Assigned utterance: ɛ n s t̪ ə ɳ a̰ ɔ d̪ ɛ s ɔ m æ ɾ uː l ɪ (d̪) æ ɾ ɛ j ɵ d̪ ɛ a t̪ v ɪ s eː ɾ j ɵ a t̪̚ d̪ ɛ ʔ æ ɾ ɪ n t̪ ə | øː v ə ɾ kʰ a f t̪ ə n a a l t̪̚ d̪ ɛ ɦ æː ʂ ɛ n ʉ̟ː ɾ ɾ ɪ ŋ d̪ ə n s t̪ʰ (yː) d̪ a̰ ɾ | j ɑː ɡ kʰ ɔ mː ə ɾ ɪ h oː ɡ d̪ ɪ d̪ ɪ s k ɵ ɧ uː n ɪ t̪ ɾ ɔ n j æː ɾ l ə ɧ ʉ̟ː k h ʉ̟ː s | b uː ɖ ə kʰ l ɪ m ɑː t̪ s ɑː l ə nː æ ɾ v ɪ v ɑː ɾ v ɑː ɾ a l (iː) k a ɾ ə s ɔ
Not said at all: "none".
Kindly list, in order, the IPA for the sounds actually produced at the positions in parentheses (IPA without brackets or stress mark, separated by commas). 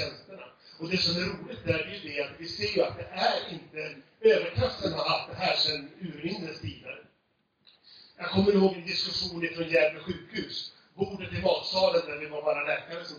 t̪, iː, ɛː